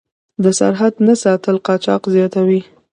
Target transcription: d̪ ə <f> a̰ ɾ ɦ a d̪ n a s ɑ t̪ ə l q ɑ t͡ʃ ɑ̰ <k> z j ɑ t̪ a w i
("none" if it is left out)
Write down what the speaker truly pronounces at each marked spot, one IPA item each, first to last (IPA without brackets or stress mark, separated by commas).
s, q